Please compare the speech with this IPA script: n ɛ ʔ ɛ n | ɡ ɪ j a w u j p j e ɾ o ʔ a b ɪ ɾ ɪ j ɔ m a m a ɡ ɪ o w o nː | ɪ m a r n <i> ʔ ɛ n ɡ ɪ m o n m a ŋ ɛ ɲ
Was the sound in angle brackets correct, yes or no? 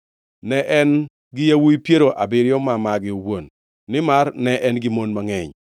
no